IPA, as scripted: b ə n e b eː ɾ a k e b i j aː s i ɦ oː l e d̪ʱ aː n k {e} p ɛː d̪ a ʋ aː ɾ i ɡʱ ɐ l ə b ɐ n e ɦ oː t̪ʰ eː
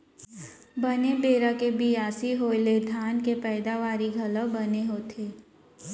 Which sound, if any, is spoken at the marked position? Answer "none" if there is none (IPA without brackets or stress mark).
e